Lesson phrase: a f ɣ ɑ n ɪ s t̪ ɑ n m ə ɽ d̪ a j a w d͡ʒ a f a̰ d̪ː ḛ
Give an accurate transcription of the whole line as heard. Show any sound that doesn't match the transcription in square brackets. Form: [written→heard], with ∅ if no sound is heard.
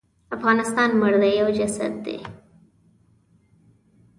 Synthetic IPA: a f ɣ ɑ n ɪ s t̪ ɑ n m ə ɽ d̪ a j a w d͡ʒ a [f→s] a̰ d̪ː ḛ